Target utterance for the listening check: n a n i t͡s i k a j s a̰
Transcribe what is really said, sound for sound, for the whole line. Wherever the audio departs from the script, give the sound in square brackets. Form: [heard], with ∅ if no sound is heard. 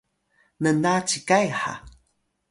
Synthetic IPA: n [ə] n [a] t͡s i k a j [ħ] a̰